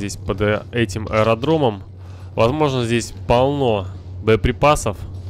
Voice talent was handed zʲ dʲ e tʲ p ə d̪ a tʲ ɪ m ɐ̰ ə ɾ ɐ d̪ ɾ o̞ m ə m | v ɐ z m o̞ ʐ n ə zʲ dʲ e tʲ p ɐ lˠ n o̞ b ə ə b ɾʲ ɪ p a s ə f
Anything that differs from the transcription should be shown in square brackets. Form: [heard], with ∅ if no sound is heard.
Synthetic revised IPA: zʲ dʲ e [sʲ] p ə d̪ [ɛ] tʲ ɪ m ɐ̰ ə ɾ ɐ d̪ ɾ o̞ m ə m | v ɐ z m o̞ ʐ n ə zʲ dʲ e [sʲ] p ɐ lˠ n o̞ b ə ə [p] ɾʲ ɪ p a s ə f